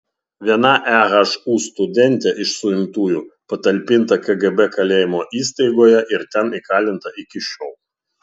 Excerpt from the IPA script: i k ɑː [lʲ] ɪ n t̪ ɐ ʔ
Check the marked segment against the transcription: correct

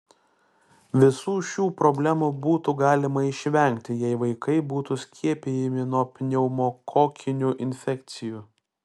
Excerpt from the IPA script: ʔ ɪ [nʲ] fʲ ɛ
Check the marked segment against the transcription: correct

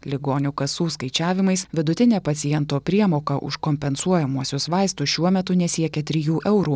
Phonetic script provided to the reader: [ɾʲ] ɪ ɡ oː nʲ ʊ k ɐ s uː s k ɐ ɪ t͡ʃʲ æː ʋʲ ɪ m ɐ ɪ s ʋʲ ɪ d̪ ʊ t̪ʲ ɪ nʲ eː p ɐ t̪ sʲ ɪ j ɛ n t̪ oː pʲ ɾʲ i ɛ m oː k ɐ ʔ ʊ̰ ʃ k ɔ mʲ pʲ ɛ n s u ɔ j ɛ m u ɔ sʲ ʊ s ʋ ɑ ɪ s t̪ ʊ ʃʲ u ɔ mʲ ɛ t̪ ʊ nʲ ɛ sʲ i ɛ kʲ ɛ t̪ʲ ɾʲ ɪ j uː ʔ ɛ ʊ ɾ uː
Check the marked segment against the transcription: incorrect: lʲ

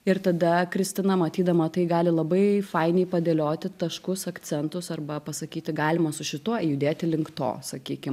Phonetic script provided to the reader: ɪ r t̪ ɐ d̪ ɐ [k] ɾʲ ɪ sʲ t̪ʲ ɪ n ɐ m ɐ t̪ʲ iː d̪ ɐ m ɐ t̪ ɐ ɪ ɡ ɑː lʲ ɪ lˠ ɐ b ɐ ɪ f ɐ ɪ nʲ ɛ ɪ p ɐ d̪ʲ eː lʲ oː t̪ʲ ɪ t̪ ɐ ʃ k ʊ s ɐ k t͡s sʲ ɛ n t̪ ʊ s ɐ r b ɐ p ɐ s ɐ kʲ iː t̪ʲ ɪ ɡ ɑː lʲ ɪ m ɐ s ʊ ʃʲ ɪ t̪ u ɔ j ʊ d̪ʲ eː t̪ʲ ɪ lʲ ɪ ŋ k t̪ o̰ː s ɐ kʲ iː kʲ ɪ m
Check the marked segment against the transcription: correct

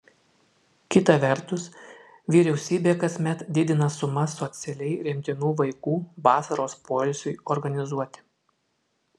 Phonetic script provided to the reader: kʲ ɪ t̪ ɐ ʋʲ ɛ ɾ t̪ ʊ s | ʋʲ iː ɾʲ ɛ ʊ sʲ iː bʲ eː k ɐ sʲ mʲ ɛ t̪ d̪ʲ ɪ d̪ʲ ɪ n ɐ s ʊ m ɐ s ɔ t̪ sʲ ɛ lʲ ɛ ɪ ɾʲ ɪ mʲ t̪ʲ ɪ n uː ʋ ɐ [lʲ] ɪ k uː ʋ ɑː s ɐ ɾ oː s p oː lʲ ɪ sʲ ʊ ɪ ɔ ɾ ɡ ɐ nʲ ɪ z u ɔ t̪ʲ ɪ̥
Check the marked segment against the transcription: incorrect: none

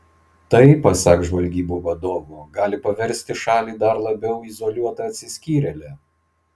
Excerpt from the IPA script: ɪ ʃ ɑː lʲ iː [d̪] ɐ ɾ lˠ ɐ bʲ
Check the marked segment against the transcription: correct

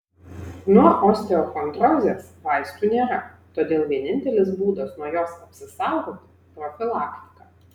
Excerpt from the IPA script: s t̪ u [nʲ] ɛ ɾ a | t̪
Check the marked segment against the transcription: correct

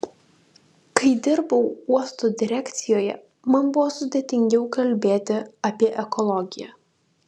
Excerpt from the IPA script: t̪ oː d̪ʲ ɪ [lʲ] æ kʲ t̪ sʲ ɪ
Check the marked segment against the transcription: incorrect: ɾʲ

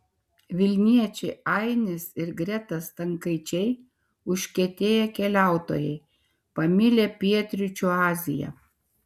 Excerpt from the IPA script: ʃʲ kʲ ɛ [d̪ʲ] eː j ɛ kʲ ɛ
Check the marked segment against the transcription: incorrect: t̪ʲ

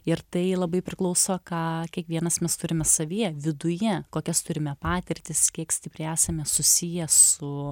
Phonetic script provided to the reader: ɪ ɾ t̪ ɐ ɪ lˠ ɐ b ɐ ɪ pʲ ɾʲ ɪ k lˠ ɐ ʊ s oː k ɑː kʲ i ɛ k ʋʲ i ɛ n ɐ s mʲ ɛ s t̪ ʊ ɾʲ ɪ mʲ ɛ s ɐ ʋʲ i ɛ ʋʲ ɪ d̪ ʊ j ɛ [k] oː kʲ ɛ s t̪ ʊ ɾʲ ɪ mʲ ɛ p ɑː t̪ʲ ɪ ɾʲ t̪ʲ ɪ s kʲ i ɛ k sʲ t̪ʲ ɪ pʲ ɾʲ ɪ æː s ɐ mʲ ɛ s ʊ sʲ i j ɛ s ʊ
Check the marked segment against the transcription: correct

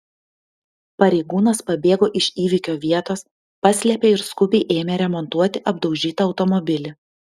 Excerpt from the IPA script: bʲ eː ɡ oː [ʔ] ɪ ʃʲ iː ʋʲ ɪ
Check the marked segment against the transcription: correct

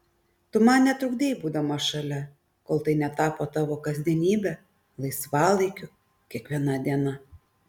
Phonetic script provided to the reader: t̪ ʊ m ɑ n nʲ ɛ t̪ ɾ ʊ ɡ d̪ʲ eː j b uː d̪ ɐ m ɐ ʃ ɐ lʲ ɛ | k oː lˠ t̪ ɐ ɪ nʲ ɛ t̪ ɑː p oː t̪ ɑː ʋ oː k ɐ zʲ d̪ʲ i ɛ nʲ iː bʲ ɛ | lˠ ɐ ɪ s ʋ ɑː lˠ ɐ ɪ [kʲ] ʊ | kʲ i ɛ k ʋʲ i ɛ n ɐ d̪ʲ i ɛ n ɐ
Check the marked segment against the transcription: correct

